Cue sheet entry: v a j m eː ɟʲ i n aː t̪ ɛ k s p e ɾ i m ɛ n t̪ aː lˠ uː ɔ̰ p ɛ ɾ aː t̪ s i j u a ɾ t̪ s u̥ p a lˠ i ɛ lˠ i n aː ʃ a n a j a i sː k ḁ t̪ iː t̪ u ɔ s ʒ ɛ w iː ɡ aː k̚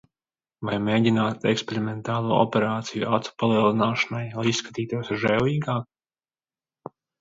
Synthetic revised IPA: v a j m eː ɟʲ i n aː t̪ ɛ k s p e ɾ i m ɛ n t̪ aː lˠ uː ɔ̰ p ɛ ɾ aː t̪ s i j u a t̪ s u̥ p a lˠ i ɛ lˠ i n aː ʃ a n a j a i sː k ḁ t̪ iː t̪ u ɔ s ʒ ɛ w iː ɡ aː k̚